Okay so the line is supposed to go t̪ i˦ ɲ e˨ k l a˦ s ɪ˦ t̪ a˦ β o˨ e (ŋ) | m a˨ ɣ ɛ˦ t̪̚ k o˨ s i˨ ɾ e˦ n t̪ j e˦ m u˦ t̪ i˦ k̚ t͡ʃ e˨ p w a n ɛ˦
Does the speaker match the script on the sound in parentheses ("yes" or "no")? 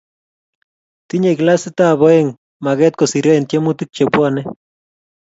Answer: yes